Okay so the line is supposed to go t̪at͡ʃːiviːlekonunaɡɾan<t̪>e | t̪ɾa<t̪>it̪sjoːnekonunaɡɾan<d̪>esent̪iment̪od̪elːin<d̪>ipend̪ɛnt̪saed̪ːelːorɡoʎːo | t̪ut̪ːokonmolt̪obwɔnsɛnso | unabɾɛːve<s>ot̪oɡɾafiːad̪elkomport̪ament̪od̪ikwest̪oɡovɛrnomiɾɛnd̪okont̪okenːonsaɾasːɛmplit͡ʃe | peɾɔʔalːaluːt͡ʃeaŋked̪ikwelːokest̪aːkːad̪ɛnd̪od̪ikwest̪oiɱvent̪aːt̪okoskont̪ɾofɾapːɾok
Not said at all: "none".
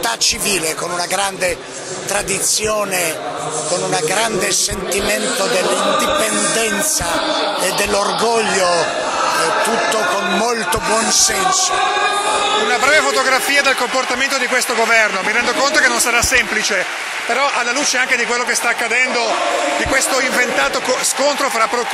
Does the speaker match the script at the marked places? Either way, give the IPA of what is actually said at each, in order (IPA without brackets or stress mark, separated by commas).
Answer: d̪, d̪, d̪, d̪, f